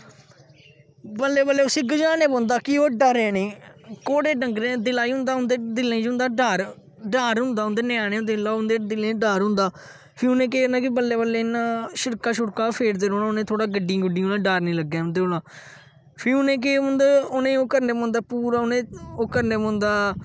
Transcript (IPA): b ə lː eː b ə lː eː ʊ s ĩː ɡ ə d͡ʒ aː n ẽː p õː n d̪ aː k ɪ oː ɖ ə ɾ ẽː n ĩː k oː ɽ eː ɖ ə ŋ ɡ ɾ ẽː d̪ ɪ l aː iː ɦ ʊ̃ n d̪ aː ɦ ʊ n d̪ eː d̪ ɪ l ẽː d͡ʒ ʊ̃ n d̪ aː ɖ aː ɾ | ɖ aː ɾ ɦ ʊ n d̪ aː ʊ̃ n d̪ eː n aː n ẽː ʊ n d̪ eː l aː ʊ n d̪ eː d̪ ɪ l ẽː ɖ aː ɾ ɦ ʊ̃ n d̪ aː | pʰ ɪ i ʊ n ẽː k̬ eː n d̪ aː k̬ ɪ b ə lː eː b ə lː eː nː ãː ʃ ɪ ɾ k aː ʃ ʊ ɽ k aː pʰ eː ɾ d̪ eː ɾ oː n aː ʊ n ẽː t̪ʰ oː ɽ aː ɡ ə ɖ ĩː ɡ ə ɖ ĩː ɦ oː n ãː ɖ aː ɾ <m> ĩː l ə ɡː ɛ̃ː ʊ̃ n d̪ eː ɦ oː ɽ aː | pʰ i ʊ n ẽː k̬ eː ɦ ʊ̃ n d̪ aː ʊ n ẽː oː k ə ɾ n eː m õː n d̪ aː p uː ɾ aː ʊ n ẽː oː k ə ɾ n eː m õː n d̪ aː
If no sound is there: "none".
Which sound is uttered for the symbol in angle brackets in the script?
n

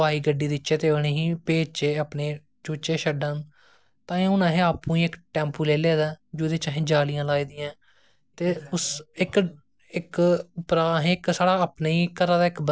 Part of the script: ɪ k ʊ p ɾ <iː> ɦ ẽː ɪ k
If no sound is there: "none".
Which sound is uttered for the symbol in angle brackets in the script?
aː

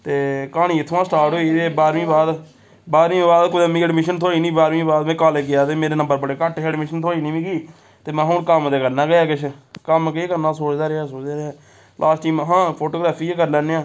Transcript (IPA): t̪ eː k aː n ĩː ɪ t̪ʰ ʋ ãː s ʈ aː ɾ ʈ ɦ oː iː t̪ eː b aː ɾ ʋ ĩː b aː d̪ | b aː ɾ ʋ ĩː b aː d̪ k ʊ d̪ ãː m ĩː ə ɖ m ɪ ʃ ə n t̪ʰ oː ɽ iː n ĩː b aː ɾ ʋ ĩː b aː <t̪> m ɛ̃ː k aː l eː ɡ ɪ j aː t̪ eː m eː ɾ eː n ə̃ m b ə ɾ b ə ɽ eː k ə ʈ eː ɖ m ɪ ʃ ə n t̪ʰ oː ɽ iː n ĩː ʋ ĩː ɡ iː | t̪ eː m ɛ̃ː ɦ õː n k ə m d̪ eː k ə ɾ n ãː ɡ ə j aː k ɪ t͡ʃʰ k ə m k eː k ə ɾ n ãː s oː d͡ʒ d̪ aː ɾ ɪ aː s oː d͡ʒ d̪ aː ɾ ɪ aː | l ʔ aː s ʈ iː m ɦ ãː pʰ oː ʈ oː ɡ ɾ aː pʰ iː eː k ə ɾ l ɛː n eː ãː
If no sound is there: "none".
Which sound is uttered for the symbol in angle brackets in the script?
d̪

